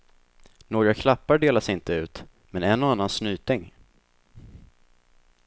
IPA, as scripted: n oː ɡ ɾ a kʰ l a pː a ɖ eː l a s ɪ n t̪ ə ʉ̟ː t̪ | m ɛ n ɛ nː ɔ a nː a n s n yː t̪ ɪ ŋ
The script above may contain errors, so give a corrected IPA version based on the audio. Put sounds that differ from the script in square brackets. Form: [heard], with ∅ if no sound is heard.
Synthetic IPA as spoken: n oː ɡ ɾ a kʰ l a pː a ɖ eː l a s ɪ n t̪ ə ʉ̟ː t̪ | m ɛ n ɛ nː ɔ a nː a n s n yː t̪ ɪ ŋ